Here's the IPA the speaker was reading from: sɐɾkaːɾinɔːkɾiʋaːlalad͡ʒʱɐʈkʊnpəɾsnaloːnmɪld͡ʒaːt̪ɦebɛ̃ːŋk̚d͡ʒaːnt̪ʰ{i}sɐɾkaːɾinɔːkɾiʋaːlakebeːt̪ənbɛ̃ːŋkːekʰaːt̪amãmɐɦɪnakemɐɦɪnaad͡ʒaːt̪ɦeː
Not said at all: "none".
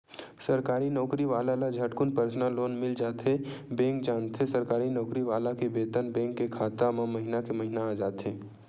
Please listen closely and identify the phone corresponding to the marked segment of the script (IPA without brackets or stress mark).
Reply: e